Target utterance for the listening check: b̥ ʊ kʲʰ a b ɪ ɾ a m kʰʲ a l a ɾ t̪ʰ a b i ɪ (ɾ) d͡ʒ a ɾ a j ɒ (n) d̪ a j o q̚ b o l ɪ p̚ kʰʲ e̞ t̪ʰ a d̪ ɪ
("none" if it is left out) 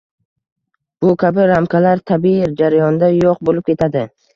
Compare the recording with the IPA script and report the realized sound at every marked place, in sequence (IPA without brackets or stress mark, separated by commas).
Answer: ɾ, n